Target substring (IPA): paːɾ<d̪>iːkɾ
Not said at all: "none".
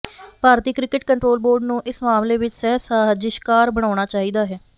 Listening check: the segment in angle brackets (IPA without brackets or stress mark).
t̪